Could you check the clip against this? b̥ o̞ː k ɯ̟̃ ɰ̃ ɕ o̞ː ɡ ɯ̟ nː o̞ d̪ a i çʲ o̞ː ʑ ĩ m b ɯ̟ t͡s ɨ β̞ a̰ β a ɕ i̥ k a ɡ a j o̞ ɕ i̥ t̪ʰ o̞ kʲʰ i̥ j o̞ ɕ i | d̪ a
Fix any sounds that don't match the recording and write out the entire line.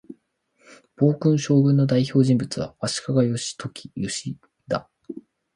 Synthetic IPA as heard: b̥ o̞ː k ɯ̟̃ ɰ̃ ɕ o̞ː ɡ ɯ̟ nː o̞ d̪ a i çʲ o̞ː ʑ ĩ m b ɯ̟ t͡s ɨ β̞ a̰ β a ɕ i̥ k a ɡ a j o̞ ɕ i̥ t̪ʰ o̞ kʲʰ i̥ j o̞ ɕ i | d̪ a